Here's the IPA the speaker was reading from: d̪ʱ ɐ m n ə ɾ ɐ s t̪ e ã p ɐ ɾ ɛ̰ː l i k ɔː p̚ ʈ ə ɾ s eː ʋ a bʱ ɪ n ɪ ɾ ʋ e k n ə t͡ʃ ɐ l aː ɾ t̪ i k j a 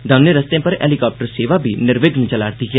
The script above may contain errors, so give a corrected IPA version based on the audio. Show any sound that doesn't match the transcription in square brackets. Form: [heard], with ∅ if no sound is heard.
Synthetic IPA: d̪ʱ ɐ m n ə ɾ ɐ s t̪ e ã p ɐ ɾ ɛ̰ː l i k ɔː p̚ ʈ ə ɾ s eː ʋ a bʱ [i] n ɪ ɾ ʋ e [ɡ] n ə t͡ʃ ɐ l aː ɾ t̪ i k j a

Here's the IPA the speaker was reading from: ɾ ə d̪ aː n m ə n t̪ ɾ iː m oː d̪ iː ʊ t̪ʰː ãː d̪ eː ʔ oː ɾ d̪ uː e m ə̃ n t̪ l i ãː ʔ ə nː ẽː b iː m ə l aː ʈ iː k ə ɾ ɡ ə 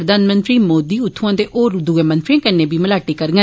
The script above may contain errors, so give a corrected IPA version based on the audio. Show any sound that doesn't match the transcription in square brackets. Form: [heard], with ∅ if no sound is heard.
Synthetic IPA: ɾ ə d̪ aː n m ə n t̪ ɾ iː m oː d̪ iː ʊ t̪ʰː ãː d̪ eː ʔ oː ɾ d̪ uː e m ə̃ n t̪ [ɾ] i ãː [k] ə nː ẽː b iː m ə l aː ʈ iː k ə ɾ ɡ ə

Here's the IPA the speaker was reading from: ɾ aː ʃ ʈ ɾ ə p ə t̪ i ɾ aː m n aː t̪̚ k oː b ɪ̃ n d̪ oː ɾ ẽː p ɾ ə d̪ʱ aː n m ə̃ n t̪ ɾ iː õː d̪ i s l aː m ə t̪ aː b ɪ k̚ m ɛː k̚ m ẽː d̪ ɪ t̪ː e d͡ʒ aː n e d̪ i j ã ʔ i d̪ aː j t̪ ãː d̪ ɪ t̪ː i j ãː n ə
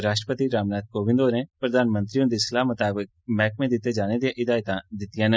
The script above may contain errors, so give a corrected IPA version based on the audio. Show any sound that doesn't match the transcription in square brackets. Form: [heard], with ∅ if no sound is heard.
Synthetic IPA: ɾ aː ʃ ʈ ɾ ə p ə t̪ i ɾ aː m n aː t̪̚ k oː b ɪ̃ n d̪ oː ɾ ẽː p ɾ ə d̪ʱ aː n m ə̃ n t̪ ɾ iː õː d̪ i s l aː m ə t̪ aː b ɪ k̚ m ɛː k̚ m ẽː d̪ ɪ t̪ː e d͡ʒ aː n e d̪ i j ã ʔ [ɪ] d̪ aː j t̪ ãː d̪ ɪ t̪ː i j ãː n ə

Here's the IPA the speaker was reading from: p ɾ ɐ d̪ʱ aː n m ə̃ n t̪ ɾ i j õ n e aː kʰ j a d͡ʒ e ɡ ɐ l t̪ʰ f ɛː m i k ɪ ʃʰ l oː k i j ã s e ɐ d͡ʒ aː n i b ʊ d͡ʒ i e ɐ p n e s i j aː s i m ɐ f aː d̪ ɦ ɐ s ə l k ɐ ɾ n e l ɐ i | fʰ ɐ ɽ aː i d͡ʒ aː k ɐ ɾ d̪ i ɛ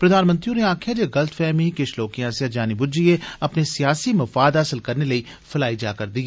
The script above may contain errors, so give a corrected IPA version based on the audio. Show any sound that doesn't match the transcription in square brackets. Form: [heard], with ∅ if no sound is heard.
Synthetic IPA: p ɾ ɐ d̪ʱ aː n m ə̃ n t̪ ɾ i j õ n e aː kʰ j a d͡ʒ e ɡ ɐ l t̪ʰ f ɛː m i k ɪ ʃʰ l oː k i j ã s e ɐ d͡ʒ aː n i b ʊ d͡ʒ i e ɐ p n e s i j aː s i m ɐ f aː d̪ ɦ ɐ s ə l k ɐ ɾ n e l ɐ i | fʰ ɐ [l] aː i d͡ʒ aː k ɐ ɾ d̪ i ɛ

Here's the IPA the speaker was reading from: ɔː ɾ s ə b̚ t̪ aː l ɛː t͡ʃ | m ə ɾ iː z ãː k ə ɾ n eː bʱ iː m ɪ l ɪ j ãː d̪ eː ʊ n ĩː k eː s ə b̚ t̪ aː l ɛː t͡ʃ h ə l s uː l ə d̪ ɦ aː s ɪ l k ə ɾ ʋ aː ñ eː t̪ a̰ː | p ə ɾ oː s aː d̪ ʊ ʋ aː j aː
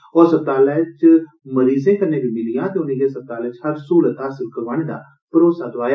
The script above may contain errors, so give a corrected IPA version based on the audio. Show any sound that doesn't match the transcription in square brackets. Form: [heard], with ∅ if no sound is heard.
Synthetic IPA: ɔː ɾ s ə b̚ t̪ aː l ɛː t͡ʃ | m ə ɾ iː z [ẽː] k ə ɾ n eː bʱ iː m ɪ l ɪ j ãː [t̪] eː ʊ n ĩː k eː s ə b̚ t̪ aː l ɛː t͡ʃ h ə [ɾ] s uː l ə [t̪] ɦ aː s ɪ l k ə ɾ ʋ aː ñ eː [d̪] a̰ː | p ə ɾ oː s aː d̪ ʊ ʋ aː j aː

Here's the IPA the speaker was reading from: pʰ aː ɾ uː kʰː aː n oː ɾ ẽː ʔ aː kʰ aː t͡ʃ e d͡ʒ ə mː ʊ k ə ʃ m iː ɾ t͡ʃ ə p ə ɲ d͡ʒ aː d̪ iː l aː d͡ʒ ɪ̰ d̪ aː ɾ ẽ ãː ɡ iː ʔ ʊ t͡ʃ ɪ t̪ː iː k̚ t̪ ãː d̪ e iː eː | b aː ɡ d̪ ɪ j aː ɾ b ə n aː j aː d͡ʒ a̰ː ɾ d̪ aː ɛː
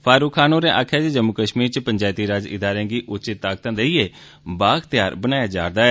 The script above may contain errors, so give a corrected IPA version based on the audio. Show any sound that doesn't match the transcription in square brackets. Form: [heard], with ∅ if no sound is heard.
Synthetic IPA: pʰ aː ɾ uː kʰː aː n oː ɾ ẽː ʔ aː kʰ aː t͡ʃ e d͡ʒ ə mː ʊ k ə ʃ m iː ɾ t͡ʃ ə p ə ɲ d͡ʒ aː [t̪] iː [ɾ] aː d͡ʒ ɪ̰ d̪ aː ɾ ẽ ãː ɡ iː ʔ ʊ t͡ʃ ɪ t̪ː [aː] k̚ t̪ ãː d̪ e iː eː | b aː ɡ [t̪] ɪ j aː ɾ b ə n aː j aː d͡ʒ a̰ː ɾ d̪ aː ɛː

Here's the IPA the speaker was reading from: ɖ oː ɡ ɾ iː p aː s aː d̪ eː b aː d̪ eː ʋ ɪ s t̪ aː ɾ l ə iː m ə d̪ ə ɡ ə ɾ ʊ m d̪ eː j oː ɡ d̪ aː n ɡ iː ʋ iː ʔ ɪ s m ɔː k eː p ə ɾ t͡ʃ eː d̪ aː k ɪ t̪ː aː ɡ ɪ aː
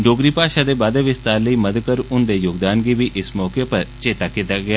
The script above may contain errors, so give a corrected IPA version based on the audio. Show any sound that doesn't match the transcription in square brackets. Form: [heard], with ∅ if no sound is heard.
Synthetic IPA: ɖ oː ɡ ɾ iː p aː [ʃ] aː d̪ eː b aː d̪ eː ʋ ɪ s t̪ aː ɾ l ə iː m ə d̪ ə [k] ə ɾ ʊ [n] d̪ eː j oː ɡ d̪ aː n ɡ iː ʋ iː ʔ ɪ s m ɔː k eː p ə ɾ t͡ʃ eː [t̪] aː k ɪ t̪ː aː ɡ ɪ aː

